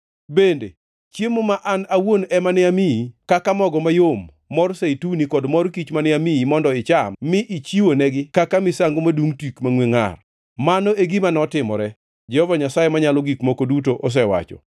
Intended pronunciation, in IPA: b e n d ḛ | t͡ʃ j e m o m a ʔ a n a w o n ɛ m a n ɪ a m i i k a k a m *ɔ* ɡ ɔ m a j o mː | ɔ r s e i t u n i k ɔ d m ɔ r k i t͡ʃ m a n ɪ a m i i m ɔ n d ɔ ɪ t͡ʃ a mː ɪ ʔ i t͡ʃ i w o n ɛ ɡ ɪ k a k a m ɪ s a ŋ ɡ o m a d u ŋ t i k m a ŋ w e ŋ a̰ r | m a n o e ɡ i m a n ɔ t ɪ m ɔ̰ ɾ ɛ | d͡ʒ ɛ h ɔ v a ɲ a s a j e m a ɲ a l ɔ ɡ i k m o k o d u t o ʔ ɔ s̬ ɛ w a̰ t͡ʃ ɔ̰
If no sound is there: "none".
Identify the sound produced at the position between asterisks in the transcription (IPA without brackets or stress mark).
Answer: ɔ